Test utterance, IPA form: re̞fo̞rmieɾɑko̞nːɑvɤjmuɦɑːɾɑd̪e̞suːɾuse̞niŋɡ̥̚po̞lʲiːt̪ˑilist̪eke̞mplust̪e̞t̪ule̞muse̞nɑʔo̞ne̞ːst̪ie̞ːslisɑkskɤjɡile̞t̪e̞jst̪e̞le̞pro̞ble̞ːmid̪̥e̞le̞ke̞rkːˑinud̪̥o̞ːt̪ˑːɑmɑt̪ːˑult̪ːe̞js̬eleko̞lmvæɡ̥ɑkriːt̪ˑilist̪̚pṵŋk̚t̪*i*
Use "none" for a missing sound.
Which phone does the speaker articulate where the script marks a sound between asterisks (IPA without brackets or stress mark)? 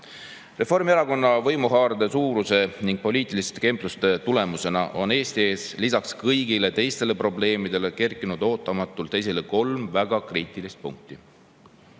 i